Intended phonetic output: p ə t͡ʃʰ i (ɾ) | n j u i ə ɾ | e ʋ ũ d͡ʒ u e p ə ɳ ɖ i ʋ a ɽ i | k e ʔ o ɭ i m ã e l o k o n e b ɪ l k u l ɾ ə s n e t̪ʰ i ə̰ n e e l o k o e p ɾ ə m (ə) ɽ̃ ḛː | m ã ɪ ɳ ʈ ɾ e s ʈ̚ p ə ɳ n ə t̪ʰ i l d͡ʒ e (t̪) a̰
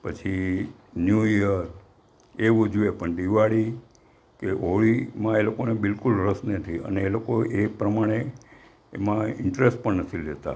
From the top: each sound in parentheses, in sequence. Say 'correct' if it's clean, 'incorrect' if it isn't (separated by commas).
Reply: incorrect, incorrect, correct